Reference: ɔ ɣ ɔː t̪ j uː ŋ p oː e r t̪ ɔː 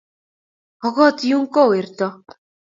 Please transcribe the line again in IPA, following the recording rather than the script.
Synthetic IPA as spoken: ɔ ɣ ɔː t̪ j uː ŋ k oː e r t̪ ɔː